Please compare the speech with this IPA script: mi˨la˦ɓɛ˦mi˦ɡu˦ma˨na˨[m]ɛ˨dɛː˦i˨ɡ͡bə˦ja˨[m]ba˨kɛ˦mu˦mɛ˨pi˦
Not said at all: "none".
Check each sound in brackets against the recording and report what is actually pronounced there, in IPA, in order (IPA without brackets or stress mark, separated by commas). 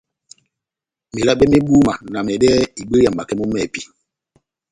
m, m